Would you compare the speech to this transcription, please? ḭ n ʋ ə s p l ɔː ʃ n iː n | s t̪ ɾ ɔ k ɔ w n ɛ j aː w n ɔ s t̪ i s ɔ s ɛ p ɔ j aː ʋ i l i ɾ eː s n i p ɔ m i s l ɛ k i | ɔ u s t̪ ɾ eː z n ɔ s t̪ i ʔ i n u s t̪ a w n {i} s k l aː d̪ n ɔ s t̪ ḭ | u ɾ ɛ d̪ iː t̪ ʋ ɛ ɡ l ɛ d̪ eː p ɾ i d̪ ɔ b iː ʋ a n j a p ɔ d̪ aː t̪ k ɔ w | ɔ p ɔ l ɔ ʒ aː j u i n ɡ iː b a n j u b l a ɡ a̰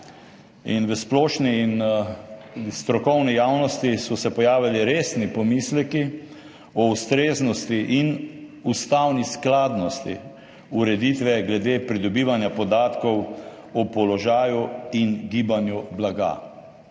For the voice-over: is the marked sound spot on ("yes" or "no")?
yes